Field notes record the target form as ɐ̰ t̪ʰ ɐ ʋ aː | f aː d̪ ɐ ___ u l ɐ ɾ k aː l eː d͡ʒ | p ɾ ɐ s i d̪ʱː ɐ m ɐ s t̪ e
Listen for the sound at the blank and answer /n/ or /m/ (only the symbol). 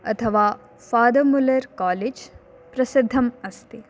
m